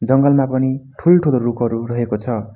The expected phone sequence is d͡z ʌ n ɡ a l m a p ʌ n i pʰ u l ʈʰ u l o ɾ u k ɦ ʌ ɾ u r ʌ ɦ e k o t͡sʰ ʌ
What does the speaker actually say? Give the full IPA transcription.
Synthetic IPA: d͡z ʌ ŋ ɡ ʌ l m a p ʌ n i ʈʰ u l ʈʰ u l o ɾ u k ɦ ʌ ɾ u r ʌ ɦ e k o t͡sʰ ʌ